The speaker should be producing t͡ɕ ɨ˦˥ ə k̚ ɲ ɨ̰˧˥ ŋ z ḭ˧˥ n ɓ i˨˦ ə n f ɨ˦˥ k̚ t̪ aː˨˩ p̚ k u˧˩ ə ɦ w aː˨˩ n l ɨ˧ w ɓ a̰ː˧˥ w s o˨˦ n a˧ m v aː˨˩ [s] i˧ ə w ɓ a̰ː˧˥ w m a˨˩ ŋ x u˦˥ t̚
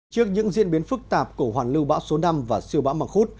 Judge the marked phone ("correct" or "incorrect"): correct